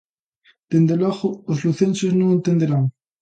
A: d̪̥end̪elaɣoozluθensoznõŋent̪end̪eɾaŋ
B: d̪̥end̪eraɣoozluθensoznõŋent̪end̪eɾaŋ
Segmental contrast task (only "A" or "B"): A